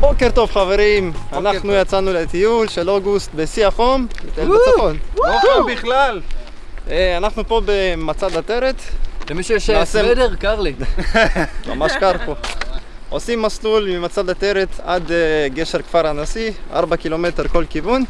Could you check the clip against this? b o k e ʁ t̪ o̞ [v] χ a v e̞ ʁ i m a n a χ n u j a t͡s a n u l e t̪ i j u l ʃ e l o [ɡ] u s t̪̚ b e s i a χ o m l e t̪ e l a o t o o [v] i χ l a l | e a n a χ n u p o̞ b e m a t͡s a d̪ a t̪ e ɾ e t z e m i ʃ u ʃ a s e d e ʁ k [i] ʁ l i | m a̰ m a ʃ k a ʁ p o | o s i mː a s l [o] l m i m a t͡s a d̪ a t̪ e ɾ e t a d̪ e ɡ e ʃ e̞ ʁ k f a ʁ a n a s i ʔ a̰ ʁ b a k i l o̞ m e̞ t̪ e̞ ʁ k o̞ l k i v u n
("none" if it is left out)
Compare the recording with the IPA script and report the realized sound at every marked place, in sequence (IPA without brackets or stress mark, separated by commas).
v, ɡ, b, a, u